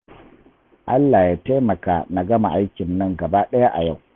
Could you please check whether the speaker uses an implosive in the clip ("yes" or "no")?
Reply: yes